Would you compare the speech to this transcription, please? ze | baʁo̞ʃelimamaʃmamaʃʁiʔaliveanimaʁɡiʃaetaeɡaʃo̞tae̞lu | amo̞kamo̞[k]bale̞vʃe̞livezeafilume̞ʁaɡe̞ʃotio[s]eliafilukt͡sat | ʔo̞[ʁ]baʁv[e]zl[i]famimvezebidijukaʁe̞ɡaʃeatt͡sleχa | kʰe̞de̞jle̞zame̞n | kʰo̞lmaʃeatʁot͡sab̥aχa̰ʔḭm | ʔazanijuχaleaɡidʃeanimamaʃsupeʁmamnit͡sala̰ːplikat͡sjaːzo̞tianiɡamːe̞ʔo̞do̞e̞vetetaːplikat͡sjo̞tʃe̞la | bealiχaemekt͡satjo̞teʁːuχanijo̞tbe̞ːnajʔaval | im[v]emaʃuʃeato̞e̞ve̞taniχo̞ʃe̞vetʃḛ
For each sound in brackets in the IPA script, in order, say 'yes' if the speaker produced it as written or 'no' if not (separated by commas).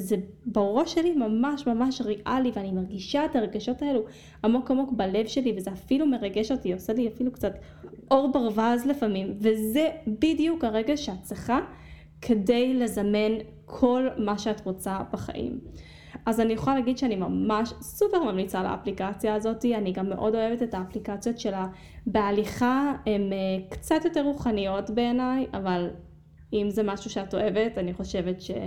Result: yes, yes, yes, no, no, no